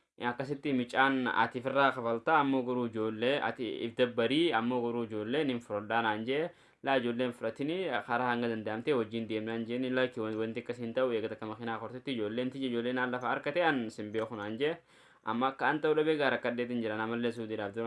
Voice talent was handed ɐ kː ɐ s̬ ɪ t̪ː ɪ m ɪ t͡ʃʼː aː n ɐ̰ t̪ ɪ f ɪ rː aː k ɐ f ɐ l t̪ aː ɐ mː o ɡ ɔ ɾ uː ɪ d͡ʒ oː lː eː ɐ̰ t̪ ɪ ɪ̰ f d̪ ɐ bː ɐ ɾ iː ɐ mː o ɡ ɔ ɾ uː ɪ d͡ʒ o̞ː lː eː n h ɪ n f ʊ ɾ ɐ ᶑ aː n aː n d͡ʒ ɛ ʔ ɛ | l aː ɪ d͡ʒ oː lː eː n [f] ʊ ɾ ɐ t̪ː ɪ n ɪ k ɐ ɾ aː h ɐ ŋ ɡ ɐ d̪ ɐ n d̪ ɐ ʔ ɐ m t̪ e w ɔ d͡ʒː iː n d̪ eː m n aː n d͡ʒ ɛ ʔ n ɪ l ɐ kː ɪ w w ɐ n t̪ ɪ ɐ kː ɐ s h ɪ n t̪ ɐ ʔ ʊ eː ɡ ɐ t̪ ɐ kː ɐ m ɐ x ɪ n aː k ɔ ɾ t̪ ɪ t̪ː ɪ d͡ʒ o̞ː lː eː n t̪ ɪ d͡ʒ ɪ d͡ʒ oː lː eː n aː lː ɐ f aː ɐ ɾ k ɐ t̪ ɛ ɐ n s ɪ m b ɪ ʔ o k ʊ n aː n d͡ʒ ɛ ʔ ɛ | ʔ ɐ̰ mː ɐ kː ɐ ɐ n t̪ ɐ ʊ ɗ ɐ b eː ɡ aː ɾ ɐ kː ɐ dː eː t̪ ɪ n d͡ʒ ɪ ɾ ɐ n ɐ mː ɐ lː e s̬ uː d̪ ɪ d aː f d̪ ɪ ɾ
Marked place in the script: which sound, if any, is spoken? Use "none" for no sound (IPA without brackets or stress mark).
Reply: f